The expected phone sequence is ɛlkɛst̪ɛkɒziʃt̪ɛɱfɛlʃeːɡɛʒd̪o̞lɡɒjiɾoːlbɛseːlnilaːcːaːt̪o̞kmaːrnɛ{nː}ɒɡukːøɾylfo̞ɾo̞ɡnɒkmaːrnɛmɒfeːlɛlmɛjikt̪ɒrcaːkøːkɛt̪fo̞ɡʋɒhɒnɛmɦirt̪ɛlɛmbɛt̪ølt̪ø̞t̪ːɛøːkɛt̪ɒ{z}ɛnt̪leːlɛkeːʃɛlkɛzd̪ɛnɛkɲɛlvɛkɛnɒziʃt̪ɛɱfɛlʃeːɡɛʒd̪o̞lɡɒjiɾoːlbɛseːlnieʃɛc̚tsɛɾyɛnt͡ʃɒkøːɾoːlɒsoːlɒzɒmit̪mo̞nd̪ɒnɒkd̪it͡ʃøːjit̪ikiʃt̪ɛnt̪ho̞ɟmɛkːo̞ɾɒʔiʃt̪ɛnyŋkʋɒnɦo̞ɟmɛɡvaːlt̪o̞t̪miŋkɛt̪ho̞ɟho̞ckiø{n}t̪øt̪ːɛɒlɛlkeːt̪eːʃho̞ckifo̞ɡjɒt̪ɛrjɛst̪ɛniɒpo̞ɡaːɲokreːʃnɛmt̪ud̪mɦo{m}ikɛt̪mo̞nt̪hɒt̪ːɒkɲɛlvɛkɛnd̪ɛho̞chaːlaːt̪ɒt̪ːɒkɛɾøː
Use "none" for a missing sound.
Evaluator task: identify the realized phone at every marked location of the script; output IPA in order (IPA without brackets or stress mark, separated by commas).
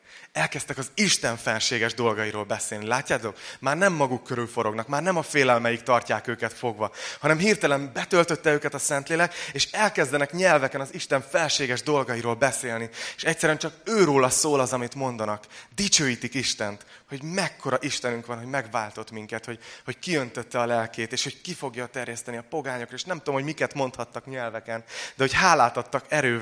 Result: mː, s, n, m